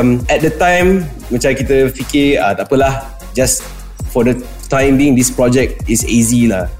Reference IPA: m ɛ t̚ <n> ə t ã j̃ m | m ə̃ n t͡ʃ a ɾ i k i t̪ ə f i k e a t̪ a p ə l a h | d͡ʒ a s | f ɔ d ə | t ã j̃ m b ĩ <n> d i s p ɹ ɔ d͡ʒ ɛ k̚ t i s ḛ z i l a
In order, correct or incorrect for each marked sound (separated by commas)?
incorrect, incorrect